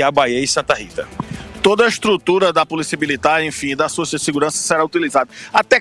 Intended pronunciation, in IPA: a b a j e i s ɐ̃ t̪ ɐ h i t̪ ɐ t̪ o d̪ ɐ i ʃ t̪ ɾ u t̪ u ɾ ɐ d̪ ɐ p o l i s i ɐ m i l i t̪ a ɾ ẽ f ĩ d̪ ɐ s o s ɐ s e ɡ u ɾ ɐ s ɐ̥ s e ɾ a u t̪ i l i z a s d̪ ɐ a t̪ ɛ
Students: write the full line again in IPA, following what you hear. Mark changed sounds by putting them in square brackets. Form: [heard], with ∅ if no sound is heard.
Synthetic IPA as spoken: a b a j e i s ɐ̃ t̪ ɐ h i t̪ ɐ t̪ o d̪ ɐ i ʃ t̪ ɾ u t̪ u ɾ ɐ d̪ ɐ p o l i s i ɐ m i l i t̪ a ɾ ẽ f ĩ d̪ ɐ s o s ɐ s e ɡ u ɾ [ɐ̃] s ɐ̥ s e ɾ a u t̪ i l i z a [∅] d̪ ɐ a t̪ ɛ